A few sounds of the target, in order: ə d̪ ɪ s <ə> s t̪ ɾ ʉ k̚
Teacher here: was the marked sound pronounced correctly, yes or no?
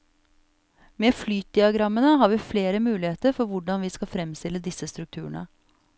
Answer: yes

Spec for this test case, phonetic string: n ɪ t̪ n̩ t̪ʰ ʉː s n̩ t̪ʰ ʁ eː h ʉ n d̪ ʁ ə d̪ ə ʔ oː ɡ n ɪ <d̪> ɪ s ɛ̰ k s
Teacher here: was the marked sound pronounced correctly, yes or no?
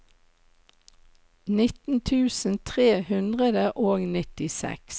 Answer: no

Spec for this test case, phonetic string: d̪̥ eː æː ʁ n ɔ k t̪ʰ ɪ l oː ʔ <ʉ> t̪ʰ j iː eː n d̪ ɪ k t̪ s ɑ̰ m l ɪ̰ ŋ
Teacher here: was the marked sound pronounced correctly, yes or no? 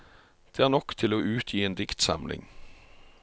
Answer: no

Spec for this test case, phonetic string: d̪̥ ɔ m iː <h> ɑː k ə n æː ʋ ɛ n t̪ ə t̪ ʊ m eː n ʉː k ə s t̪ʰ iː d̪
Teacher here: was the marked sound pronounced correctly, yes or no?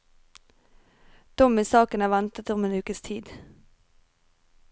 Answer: no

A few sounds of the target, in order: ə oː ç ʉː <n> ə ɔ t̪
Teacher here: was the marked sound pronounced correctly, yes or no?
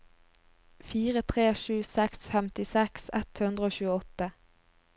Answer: no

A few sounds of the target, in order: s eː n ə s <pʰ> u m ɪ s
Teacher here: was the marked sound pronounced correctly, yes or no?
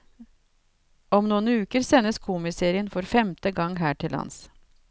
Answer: no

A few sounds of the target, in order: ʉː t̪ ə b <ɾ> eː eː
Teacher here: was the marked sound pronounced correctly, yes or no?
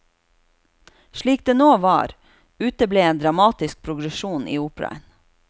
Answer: no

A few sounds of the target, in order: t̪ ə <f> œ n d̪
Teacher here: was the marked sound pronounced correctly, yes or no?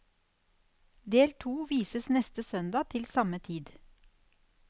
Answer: no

